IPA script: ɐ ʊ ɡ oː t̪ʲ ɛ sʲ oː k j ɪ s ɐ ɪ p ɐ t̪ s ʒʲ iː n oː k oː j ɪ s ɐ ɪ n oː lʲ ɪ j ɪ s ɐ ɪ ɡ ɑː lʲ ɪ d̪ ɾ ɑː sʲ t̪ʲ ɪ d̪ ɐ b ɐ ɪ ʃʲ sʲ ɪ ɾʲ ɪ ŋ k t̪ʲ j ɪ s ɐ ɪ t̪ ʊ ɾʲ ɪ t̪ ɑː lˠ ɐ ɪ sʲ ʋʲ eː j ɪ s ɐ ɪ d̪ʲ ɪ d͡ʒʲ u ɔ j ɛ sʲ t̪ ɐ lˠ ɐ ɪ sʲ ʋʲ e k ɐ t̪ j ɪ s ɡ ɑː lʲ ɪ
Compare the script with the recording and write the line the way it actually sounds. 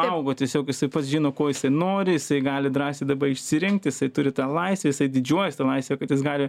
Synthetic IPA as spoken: ɐ ʊ ɡ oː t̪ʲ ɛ sʲ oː k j ɪ s ɐ ɪ p ɐ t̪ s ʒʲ iː n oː k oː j ɪ s ɐ ɪ n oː ɾʲ ɪ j ɪ s ɐ ɪ ɡ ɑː lʲ ɪ d̪ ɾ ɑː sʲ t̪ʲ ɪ d̪ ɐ b ɐ ɪ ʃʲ sʲ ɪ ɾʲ ɪ ŋ k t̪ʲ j ɪ s ɐ ɪ t̪ ʊ ɾʲ ɪ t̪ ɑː lˠ ɐ ɪ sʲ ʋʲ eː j ɪ s ɐ ɪ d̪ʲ ɪ d͡ʒʲ u ɔ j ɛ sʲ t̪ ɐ lˠ ɐ ɪ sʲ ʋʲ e k ɐ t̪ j ɪ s ɡ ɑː lʲ ɪ